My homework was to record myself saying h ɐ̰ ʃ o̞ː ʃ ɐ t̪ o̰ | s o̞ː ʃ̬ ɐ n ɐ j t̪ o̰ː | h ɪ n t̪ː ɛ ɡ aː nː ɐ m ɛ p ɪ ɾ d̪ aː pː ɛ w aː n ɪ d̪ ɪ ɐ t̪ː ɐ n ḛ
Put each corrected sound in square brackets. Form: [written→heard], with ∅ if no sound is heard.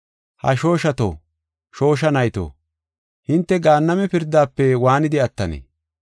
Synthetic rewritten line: h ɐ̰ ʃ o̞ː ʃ ɐ t̪ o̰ | [s→ʃ] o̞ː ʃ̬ ɐ n ɐ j t̪ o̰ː | h ɪ n t̪ː ɛ ɡ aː nː ɐ m ɛ p ɪ ɾ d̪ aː pː ɛ w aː n ɪ d̪ ɪ ɐ t̪ː ɐ n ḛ